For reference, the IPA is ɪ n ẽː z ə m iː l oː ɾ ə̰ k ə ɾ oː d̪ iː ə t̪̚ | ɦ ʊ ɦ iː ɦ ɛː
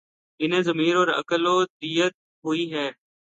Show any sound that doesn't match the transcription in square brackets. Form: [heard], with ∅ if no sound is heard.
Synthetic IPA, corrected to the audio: ɪ n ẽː z ə m iː [ɾ] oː ɾ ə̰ k ə [l] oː d̪ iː ə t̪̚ | ɦ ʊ [∅] iː ɦ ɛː